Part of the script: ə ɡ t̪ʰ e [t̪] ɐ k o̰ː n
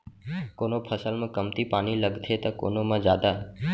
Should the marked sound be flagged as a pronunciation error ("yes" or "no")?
no